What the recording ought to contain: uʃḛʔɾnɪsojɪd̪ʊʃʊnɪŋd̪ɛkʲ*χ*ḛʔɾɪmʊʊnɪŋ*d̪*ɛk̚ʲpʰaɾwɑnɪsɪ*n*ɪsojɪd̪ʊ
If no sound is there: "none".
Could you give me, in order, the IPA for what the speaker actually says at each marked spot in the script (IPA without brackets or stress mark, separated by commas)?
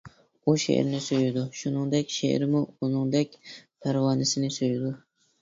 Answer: ʃ, d̪, n